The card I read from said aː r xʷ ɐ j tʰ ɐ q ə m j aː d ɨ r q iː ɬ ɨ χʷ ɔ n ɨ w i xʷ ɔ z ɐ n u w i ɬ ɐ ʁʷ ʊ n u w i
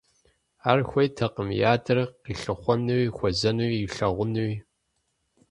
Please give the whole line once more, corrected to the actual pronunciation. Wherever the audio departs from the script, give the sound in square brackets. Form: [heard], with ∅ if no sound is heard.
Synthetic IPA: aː r xʷ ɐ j tʰ ɐ q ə m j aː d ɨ r q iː ɬ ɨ χʷ ɔ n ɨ w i xʷ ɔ z ɐ n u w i ɬ ɐ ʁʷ ʊ n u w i